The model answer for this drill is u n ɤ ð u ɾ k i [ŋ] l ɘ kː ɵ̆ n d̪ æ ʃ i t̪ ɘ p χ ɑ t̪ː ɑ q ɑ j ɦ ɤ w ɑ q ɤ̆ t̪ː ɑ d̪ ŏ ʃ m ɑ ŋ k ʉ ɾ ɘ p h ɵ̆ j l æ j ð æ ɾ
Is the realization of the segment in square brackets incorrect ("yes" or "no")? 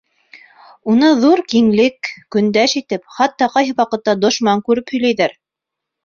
no